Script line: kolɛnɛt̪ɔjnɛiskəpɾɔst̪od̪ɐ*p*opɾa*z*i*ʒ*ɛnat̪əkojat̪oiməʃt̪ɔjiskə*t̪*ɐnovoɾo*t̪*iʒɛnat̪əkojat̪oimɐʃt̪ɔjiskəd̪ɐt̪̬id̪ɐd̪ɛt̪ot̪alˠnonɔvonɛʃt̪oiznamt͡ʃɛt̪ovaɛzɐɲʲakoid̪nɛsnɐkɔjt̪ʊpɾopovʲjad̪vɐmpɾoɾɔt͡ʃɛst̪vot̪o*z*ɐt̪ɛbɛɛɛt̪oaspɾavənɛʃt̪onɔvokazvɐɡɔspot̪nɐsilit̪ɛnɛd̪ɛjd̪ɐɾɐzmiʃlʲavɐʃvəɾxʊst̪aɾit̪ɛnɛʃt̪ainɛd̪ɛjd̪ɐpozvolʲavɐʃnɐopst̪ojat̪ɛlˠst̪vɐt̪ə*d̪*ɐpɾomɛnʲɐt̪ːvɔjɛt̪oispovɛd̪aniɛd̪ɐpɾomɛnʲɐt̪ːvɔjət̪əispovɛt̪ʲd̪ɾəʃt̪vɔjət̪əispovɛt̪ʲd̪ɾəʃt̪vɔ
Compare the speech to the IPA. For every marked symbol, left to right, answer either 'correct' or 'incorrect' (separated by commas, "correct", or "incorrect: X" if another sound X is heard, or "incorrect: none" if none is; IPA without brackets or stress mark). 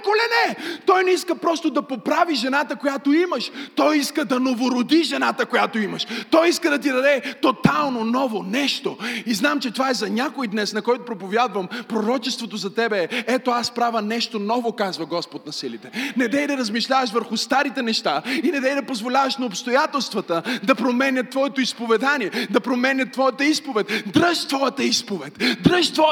correct, incorrect: v, correct, incorrect: d̪, incorrect: d̪, correct, correct